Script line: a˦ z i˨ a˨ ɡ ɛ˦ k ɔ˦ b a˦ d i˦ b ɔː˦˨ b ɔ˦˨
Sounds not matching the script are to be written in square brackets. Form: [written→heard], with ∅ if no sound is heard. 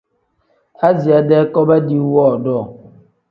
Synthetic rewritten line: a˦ z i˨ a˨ [ɡ→d] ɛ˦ k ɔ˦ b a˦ d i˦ [b→w] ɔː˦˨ [b→d] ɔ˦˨